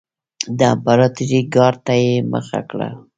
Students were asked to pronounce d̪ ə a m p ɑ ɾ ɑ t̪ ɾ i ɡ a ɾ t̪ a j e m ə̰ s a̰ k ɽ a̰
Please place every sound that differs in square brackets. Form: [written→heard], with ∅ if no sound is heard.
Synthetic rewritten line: d̪ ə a m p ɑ ɾ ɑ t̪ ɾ i ɡ [a→ɑ] ɾ t̪ a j e m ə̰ [s→x] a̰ k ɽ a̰